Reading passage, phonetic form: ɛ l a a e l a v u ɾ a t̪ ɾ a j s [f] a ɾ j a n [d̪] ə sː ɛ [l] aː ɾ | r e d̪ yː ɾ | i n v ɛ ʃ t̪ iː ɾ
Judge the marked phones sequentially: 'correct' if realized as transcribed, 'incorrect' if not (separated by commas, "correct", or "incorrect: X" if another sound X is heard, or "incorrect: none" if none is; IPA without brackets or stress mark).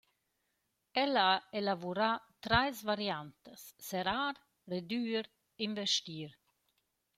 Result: incorrect: v, incorrect: t̪, incorrect: ɾ